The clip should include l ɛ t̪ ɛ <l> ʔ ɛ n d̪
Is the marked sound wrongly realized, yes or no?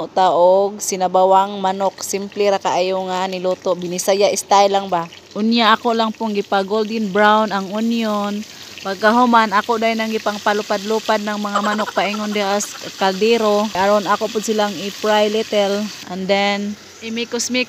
no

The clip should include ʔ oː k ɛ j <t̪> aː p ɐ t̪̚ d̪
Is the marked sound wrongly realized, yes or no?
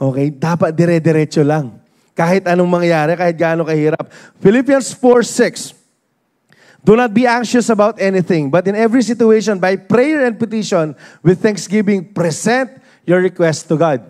yes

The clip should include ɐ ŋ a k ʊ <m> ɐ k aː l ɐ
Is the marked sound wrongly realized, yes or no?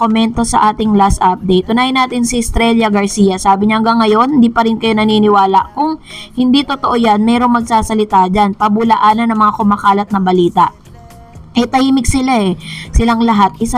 no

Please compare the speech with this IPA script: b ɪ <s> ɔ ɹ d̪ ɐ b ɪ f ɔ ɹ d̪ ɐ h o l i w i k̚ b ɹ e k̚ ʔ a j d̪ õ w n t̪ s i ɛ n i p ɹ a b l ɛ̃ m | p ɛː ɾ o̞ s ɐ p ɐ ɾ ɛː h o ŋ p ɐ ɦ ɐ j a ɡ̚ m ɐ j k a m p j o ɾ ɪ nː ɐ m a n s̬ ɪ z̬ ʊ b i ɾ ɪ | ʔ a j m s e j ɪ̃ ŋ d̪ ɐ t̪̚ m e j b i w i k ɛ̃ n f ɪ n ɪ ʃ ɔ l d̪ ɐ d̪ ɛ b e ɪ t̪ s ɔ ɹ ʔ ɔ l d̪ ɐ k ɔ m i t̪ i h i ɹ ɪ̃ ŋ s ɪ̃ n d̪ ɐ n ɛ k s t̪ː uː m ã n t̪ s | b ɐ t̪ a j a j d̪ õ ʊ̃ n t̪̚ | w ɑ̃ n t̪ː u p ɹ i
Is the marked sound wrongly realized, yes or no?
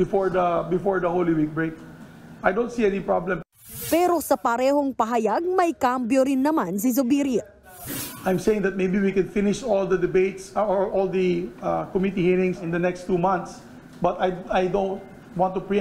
yes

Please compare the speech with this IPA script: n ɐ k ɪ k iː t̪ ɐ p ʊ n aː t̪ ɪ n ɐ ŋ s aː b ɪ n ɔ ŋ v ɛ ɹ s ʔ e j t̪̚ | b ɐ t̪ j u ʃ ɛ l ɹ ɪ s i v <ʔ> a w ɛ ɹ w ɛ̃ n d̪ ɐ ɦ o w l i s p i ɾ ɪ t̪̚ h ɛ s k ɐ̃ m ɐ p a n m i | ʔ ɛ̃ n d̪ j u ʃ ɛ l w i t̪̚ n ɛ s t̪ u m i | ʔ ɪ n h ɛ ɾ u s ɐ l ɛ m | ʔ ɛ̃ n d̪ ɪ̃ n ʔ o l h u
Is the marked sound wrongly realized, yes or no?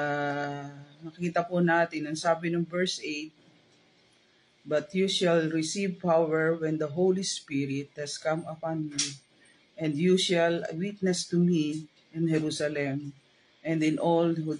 yes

